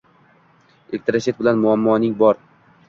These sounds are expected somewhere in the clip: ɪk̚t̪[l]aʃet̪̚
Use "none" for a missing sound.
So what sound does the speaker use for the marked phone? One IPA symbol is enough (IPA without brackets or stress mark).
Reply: ɾ